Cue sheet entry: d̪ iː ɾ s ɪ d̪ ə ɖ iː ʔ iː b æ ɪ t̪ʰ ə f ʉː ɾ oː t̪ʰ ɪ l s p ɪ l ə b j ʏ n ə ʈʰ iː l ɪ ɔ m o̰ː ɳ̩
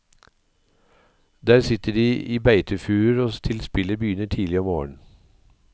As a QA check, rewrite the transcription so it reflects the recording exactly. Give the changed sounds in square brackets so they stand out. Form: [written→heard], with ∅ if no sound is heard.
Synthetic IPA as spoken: d̪ [iː→æː] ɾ s ɪ [d̪→t̪] ə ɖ iː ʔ iː b æ ɪ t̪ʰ ə f ʉː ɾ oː t̪ʰ ɪ l s p ɪ l ə b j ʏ n ə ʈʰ iː l ɪ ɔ m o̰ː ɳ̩